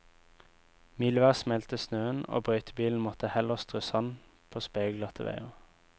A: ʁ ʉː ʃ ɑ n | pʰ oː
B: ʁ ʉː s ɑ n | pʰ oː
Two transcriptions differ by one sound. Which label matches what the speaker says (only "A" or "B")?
B